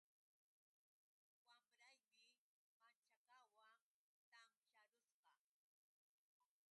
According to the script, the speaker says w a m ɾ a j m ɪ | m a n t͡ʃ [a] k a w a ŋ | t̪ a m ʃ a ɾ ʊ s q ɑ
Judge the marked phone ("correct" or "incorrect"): correct